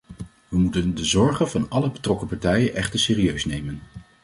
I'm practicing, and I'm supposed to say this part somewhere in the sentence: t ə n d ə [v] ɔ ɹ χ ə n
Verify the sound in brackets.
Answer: incorrect: z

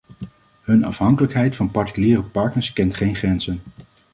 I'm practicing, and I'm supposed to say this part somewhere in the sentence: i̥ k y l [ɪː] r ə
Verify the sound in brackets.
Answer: incorrect: iː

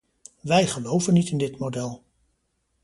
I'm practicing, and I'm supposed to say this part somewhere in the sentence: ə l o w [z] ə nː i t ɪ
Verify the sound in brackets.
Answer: incorrect: v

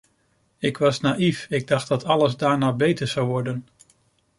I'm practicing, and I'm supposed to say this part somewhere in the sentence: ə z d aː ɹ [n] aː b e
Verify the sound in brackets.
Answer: correct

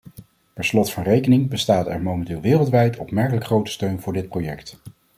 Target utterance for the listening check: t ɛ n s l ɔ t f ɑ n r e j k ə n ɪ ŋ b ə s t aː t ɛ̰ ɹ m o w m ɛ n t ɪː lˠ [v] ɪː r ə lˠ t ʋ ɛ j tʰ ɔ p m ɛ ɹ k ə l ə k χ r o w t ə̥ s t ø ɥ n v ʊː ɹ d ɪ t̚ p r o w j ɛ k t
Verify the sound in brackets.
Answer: incorrect: ʋ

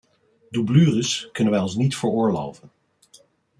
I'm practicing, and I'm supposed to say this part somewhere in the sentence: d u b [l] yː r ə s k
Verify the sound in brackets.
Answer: correct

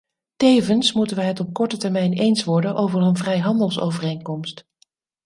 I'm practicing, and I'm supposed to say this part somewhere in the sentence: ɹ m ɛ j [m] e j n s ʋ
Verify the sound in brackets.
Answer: incorrect: n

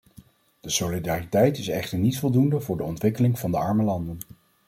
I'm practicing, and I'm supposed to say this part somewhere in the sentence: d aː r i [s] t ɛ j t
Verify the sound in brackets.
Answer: incorrect: none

